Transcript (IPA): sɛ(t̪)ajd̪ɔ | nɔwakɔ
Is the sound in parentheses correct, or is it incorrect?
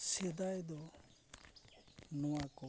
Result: incorrect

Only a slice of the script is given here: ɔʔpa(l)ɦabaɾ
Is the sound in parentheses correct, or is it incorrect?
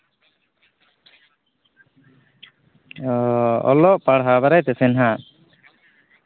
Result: incorrect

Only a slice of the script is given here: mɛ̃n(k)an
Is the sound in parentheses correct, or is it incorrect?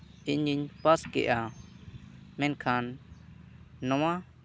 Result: incorrect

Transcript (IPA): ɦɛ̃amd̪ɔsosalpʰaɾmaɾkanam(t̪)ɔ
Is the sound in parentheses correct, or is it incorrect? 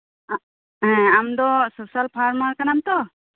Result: correct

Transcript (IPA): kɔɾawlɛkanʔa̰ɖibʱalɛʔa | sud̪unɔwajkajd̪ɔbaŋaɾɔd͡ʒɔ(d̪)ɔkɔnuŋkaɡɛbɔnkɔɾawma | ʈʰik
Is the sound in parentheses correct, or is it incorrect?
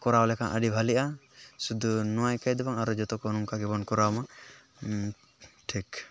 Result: incorrect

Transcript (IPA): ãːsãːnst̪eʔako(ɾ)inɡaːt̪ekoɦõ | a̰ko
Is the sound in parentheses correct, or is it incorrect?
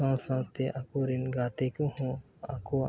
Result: correct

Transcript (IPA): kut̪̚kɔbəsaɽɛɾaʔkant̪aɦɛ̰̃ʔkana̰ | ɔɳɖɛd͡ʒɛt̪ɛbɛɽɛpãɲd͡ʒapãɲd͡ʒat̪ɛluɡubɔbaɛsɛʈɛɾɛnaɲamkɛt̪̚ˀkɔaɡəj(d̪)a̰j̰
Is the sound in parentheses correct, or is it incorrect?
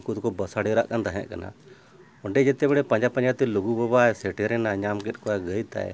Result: incorrect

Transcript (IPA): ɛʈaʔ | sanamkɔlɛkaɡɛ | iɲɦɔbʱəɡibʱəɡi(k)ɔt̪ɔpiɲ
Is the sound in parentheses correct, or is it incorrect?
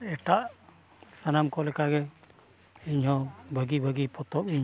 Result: incorrect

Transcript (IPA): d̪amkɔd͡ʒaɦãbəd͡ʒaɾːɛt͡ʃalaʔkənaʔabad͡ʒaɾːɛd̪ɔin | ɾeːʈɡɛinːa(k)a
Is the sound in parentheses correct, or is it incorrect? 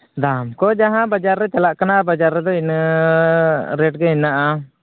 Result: incorrect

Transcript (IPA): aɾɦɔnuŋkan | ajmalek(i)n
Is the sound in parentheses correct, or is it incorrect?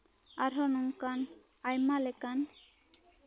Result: incorrect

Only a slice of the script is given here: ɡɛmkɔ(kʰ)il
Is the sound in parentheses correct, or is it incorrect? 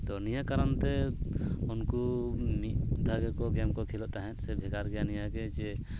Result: correct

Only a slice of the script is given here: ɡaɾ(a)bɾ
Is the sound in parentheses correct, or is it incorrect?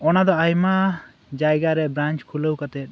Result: incorrect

